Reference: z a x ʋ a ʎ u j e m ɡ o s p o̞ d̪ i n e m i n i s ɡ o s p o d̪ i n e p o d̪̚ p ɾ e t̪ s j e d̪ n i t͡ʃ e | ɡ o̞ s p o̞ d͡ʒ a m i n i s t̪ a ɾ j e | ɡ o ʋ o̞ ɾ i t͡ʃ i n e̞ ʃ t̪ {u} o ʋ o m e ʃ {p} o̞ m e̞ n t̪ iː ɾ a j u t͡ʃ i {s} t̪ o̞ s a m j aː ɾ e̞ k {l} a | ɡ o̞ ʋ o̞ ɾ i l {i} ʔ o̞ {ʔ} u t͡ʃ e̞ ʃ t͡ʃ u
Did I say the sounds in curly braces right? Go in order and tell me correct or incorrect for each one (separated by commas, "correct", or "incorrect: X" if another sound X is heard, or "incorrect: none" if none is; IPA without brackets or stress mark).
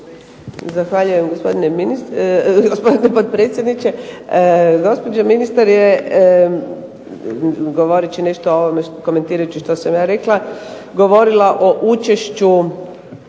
incorrect: o, incorrect: k, incorrect: ʃ, correct, incorrect: a, correct